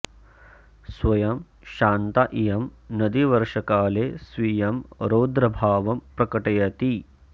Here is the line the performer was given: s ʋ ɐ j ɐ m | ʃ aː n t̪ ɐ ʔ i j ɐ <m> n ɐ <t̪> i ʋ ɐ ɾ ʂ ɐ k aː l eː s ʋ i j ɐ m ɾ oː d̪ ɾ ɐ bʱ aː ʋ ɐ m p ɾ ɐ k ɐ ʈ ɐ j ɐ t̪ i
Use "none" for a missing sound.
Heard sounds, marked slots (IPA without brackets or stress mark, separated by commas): m, d̪